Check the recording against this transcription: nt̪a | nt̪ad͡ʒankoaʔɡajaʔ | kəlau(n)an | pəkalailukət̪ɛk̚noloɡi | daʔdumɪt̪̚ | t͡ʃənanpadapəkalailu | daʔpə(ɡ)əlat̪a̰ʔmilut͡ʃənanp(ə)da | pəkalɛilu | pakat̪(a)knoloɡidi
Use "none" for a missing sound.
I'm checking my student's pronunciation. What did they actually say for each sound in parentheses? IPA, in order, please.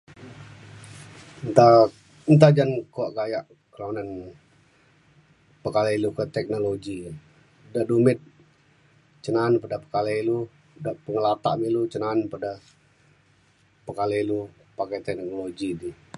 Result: n, ŋ, a, ɛ

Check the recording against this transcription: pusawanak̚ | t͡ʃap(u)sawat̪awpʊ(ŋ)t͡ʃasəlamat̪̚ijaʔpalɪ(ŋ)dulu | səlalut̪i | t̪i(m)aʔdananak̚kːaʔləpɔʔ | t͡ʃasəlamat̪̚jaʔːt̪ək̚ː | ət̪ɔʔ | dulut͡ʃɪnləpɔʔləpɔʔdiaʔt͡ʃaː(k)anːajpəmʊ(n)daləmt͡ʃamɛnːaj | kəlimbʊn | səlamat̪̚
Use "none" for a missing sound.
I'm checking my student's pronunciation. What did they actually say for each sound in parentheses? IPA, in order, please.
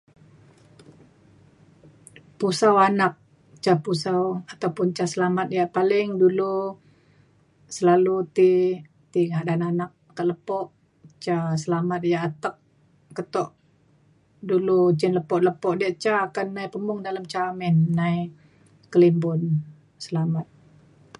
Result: u, n, ŋ, ŋ, k, ŋ

